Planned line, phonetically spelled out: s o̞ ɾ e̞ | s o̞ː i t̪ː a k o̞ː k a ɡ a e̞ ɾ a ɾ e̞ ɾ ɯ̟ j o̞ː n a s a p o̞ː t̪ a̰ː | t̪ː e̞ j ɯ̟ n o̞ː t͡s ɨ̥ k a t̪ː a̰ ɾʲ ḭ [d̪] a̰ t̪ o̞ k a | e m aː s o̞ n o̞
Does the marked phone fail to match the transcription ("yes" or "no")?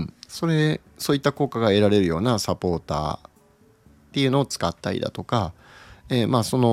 no